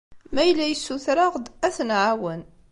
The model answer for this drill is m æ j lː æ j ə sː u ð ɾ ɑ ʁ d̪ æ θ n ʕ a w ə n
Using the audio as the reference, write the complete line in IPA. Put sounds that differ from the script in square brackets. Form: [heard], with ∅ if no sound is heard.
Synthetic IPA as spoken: m æ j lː æ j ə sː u [θ] ɾ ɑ ʁ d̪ æ θ n ʕ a w ə n